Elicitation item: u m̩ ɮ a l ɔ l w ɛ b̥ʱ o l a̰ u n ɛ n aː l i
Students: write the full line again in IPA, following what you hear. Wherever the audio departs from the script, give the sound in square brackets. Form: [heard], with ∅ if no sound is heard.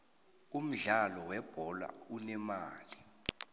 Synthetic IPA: u m̩ ɮ a l ɔ [∅] w ɛ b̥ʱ [ɔ] l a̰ u n ɛ [m] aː l i